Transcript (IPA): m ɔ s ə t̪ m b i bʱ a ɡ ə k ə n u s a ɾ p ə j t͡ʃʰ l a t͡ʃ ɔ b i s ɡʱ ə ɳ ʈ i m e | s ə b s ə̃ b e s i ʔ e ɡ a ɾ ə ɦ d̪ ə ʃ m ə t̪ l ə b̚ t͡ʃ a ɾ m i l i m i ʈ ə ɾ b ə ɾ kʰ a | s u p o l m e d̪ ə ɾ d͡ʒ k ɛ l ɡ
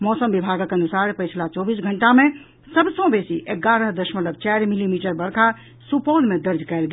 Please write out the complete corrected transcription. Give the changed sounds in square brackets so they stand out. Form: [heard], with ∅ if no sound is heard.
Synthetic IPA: m ɔ s ə [∅] m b i bʱ a ɡ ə k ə n u s a ɾ p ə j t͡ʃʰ l a t͡ʃ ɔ b i s ɡʱ ə ɳ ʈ [a] m e | s ə b s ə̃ b e s i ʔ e ɡ a ɾ ə ɦ d̪ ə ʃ m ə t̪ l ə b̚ t͡ʃ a ɾ m i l i m i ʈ ə ɾ b ə ɾ kʰ a | s u p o l m e d̪ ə ɾ d͡ʒ k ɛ l ɡ